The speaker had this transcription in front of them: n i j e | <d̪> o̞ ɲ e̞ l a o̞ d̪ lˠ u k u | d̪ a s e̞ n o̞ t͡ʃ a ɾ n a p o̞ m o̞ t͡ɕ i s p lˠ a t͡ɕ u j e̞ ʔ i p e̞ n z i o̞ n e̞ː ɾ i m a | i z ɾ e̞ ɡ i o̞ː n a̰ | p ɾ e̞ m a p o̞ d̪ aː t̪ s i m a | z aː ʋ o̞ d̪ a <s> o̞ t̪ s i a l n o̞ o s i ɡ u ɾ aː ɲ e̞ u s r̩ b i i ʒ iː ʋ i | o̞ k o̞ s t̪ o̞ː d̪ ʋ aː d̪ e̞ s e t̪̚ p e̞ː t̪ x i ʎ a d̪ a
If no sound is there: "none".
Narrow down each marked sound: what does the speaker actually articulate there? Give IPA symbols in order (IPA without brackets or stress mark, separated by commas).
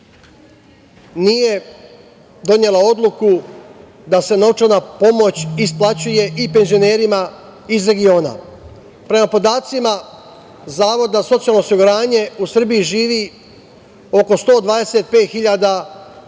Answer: d̪, s